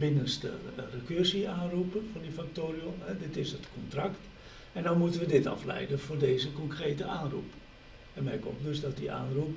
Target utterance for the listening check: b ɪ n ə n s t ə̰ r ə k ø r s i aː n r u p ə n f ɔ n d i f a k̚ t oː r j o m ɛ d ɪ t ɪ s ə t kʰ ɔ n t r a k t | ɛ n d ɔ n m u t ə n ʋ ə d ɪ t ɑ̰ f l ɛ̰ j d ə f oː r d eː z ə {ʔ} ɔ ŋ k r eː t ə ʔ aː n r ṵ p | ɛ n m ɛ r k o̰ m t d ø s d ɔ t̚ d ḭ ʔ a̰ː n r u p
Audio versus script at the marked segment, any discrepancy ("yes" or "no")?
yes